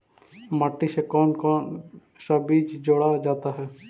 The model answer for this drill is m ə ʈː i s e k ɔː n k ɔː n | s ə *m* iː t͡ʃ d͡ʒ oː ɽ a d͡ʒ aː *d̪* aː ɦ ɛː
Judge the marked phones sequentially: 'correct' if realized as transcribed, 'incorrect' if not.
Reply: incorrect, incorrect

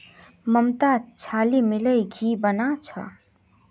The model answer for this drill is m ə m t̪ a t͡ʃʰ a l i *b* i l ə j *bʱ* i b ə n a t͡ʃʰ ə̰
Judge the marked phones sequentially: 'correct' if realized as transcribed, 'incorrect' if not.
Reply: incorrect, incorrect

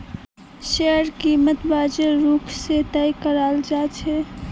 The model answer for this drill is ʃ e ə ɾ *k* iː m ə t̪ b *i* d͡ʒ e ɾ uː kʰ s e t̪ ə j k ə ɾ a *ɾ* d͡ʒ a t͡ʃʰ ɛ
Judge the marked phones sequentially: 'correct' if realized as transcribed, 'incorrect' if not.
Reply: correct, incorrect, incorrect

